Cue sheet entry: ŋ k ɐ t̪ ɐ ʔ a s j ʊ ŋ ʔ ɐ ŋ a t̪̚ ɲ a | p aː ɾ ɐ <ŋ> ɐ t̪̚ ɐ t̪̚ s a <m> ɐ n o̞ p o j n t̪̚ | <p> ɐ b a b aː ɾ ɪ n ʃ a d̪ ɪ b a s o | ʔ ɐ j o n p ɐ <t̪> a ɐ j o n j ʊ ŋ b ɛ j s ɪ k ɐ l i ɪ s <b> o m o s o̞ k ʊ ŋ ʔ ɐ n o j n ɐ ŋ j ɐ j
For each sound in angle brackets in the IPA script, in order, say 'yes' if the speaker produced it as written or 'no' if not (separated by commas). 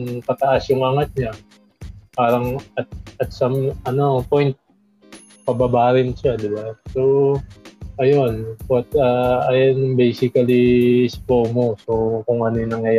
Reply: yes, yes, yes, yes, no